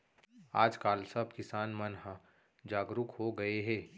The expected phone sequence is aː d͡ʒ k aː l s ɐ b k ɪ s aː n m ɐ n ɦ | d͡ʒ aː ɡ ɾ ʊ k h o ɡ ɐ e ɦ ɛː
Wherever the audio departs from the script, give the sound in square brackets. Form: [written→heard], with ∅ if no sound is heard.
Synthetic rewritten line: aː d͡ʒ k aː l s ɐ b k ɪ s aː n m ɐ n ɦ | d͡ʒ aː ɡ ɾ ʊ k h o ɡ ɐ e ɦ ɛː